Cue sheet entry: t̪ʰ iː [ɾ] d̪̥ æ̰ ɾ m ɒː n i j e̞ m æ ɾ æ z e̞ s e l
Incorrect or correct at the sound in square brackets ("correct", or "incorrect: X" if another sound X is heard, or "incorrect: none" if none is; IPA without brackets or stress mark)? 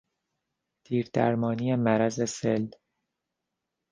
correct